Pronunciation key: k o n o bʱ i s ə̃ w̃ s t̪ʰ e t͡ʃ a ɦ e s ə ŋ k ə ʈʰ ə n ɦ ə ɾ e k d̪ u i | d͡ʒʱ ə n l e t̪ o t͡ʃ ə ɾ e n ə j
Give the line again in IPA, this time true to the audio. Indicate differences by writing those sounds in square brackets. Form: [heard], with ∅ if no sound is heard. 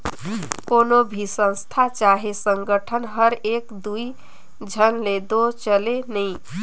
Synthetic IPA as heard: k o n o bʱ i s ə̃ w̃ s t̪ʰ [a] t͡ʃ a ɦ e s ə ŋ [ɡ] ə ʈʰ ə n ɦ ə ɾ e k d̪ u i | d͡ʒʱ ə n l e [d̪] o t͡ʃ ə [l] e n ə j